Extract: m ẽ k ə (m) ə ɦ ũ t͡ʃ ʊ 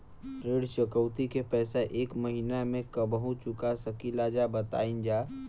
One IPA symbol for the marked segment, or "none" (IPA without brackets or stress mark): b